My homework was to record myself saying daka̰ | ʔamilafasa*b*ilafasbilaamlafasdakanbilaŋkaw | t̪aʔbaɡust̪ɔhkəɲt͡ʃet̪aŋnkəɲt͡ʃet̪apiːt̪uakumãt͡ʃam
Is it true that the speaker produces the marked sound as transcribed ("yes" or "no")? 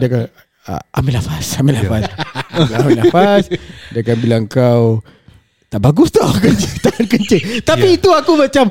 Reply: no